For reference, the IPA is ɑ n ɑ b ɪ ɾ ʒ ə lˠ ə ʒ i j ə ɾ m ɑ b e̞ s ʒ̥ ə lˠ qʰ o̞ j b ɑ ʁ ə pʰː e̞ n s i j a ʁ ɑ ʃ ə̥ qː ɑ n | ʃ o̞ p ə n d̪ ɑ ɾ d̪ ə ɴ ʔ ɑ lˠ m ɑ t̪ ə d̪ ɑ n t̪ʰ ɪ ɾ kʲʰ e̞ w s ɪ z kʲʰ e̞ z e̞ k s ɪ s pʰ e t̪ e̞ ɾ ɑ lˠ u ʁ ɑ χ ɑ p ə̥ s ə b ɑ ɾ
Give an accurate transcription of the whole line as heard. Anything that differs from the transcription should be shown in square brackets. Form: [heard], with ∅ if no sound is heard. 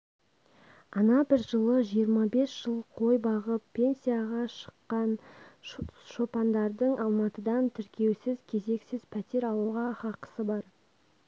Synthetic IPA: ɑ n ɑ b ɪ ɾ ʒ ə lˠ ə ʒ i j ə ɾ m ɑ b e̞ s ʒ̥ ə lˠ qʰ o̞ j b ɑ ʁ ə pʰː e̞ n s i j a ʁ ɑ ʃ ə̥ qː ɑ n | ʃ o̞ p [ɑ] n d̪ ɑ ɾ d̪ ə ɴ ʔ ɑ lˠ m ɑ t̪ ə d̪ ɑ n t̪ʰ ɪ ɾ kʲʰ e̞ w s ɪ z kʲʰ e̞ z e̞ k s ɪ [z] pʰ [æ] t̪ e̞ ɾ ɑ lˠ u ʁ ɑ χ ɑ [q] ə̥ s ə b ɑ ɾ

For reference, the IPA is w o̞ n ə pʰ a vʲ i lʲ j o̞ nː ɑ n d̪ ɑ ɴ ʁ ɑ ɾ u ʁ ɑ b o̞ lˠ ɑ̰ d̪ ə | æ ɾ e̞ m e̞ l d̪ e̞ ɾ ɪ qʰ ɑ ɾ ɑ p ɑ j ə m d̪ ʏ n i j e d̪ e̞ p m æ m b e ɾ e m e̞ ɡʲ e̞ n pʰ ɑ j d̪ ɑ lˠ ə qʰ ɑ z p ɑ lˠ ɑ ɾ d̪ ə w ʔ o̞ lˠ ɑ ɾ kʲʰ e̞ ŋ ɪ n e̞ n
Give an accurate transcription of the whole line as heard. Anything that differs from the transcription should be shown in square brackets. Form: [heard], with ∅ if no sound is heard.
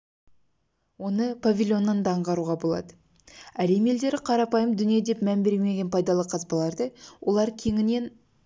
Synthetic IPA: w o̞ n ə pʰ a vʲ i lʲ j o̞ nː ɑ n d̪ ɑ ɴ ʁ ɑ ɾ u ʁ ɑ b o̞ lˠ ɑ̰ d̪ ə | æ ɾ e̞ m e̞ l d̪ e̞ ɾ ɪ qʰ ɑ ɾ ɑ p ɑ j ə m d̪ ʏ n i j e d̪ e̞ p m æ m b e ɾ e m e̞ ɡʲ e̞ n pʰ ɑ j d̪ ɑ lˠ ə qʰ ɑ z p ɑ lˠ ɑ ɾ d̪ ə w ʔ o̞ lˠ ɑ ɾ kʲʰ e̞ ŋ ɪ n e̞ n

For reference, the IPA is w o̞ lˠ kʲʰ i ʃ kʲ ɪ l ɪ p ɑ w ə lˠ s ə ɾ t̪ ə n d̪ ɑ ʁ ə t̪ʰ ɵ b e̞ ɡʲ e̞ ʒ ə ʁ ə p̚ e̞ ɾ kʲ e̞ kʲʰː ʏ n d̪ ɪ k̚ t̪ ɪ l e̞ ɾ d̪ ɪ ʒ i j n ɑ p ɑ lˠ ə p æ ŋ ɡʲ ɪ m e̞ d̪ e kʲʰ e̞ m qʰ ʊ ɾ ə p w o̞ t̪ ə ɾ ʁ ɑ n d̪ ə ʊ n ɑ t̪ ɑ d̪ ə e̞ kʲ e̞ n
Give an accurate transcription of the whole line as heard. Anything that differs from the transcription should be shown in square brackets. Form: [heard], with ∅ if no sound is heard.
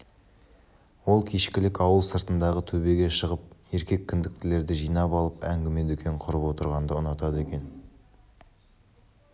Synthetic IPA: w o̞ lˠ kʲʰ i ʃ kʲ ɪ l ɪ [k] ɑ w ə lˠ s ə ɾ t̪ ə n d̪ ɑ ʁ ə t̪ʰ ɵ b e̞ ɡʲ e̞ [ʃ] ə ʁ ə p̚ e̞ ɾ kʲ e̞ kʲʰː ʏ n d̪ ɪ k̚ t̪ ɪ l e̞ ɾ d̪ ɪ ʒ i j n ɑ p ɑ lˠ ə p æ ŋ ɡʲ ɪ m e̞ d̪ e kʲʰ e̞ [ɴ] qʰ ʊ ɾ ə p w o̞ t̪ ə ɾ ʁ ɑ n d̪ ə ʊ n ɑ t̪ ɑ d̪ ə e̞ kʲ e̞ n

